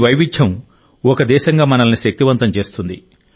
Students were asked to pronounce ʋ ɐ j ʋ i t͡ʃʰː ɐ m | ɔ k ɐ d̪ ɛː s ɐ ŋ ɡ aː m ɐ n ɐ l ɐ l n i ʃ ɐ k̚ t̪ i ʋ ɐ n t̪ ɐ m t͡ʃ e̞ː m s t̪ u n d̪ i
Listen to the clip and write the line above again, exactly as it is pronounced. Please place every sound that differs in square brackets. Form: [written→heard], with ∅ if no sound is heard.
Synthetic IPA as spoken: ʋ ɐ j ʋ i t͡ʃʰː ɐ m | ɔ k ɐ d̪ ɛː [s→ʃ] ɐ ŋ ɡ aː m ɐ n ɐ l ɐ [l→∅] n i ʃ ɐ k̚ t̪ i ʋ ɐ n t̪ ɐ m t͡ʃ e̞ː [m→∅] s t̪ u n d̪ i